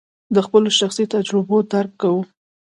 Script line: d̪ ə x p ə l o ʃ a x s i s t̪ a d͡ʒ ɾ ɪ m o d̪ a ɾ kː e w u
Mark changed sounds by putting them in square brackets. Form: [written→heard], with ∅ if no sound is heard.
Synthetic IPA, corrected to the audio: d̪ ə x p ə l o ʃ a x s i [s→∅] t̪ a d͡ʒ ɾ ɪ [m→b] o d̪ a ɾ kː [e→a] w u